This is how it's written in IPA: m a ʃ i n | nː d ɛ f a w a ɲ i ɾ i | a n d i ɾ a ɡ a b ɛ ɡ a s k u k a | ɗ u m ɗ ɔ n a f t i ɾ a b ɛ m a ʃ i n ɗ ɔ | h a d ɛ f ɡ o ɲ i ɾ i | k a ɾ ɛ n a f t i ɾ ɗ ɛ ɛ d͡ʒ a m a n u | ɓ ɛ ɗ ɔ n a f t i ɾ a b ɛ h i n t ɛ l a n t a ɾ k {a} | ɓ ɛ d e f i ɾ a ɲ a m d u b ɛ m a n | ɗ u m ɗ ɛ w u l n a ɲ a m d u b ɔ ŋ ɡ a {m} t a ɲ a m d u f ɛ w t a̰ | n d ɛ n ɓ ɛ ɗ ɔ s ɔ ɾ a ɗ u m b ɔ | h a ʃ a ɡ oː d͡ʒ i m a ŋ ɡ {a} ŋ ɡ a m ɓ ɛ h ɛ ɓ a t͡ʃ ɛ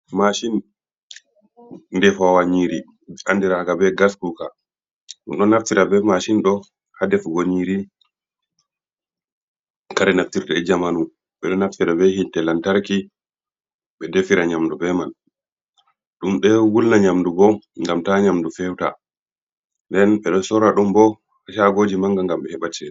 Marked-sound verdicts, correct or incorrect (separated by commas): incorrect, correct, correct